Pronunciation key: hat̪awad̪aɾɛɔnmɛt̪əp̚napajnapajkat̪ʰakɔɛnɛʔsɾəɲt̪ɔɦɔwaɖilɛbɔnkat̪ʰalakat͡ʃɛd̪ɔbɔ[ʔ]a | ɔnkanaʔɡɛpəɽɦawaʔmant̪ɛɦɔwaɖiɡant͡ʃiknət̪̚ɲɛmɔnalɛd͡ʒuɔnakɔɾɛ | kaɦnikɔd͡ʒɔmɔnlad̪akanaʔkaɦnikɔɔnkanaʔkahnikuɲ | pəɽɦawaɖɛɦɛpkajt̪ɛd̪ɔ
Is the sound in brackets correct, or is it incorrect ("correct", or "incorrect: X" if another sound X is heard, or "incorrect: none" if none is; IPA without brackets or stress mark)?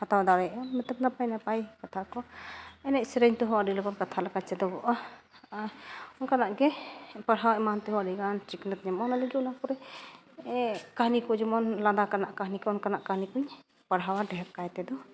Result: correct